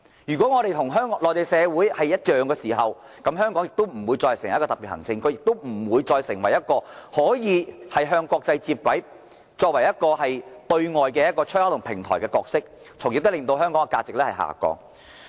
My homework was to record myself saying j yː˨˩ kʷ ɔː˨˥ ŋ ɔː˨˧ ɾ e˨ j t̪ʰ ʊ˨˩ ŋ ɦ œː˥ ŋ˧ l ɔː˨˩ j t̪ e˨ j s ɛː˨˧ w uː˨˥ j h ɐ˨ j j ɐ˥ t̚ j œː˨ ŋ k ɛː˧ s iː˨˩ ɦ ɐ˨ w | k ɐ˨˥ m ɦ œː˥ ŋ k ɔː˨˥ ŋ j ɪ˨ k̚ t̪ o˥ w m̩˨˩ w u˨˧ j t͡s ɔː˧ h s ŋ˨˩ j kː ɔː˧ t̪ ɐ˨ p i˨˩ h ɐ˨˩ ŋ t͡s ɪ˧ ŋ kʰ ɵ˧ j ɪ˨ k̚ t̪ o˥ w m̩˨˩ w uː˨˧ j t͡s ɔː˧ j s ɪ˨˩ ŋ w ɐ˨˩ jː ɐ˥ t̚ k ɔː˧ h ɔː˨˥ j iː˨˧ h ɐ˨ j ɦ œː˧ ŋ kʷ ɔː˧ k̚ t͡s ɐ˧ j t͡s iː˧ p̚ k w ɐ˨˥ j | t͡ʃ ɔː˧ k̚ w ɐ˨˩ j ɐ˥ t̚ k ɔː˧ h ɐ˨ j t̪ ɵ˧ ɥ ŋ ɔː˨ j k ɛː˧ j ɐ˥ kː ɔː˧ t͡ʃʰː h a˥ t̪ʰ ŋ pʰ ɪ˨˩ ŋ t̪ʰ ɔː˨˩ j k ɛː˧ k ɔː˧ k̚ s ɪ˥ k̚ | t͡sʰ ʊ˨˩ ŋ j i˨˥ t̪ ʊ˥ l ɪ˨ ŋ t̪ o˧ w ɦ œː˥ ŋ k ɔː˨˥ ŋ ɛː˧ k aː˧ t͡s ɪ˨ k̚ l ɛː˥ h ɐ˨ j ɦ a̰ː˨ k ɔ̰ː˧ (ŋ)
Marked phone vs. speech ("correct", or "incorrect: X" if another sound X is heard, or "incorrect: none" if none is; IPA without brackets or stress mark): correct